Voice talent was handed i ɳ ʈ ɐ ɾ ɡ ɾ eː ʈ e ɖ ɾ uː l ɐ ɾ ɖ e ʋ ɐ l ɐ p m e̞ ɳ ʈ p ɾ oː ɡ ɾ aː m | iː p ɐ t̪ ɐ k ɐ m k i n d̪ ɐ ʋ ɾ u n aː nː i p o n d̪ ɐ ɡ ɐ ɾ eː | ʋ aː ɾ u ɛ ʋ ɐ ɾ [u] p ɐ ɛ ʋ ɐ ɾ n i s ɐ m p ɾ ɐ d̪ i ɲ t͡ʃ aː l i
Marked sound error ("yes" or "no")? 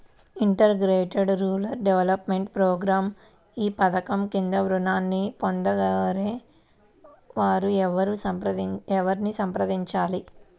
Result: no